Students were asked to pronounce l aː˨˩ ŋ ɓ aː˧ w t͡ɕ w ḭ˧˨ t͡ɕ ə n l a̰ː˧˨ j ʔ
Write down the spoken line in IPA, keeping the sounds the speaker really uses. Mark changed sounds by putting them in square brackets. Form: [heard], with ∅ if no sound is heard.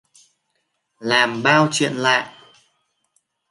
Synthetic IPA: l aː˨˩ [m] ɓ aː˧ w t͡ɕ w ḭ˧˨ [∅] ə n l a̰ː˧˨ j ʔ

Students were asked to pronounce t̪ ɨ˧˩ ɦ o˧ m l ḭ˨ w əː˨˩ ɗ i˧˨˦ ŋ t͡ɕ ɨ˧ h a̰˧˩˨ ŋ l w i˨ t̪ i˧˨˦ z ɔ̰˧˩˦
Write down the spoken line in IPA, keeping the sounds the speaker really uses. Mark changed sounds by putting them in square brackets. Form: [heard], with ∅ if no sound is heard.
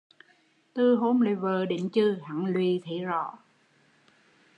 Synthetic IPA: t̪ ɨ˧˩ ɦ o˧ m l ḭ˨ [v] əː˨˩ ɗ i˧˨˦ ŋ t͡ɕ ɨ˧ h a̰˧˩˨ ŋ l w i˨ [t̪ʰ] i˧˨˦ z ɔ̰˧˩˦

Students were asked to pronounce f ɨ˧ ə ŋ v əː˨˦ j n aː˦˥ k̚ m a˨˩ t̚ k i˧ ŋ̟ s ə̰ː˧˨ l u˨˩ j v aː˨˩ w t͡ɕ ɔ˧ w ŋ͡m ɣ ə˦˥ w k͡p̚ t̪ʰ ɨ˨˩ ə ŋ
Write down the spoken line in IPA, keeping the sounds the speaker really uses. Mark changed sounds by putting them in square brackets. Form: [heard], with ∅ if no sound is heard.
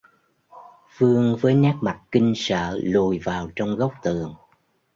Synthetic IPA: f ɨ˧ ə ŋ v əː˨˦ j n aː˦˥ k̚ m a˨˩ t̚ k i˧ ŋ̟ s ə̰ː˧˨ l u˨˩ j v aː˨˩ w t͡ɕ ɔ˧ w ŋ͡m ɣ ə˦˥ w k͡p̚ [t̪] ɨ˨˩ ə ŋ

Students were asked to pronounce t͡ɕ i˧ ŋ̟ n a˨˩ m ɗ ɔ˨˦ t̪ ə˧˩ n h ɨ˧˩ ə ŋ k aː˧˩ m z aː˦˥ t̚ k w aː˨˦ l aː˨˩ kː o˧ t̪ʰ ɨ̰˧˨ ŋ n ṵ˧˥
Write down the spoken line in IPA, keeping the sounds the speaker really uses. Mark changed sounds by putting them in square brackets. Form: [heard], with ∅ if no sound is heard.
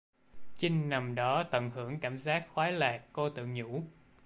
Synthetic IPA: t͡ɕ i˧ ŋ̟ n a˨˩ m ɗ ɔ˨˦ t̪ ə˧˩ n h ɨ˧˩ ə ŋ k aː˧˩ m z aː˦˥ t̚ [x] w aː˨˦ l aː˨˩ kː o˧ [t̪] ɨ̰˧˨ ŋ [ɲ] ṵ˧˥

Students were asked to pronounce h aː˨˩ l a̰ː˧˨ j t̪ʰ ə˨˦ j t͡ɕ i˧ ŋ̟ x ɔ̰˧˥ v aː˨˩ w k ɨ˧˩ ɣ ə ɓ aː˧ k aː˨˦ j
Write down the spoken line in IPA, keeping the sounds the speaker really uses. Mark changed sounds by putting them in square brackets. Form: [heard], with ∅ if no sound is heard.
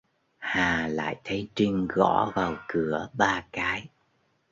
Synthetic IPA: h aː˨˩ l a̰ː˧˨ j t̪ʰ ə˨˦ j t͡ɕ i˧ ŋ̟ [ɣ] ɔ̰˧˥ v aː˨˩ w k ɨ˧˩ [∅] ə ɓ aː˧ k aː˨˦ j

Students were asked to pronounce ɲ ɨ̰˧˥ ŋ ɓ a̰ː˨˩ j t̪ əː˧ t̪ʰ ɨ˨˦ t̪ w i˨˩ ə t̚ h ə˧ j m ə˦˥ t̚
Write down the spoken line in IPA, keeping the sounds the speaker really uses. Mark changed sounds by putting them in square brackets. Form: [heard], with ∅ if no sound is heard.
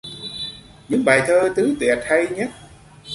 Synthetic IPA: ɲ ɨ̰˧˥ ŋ ɓ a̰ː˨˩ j [t̪ʰ] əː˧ [t̪] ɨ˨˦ t̪ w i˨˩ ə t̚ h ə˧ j [ɲ] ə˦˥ t̚

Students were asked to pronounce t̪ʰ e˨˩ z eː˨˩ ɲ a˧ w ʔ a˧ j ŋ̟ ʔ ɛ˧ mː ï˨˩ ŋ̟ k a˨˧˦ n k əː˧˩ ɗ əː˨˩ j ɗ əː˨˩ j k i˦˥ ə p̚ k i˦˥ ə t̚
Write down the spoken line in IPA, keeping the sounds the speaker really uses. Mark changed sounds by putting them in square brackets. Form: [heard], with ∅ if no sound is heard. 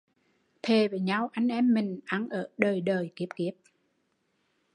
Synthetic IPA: t̪ʰ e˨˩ [v] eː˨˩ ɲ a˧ w ʔ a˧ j ŋ̟ ʔ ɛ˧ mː ï˨˩ ŋ̟ [ʔ] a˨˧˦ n [ʔ] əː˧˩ ɗ əː˨˩ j ɗ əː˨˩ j k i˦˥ ə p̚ k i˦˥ ə [p̚]

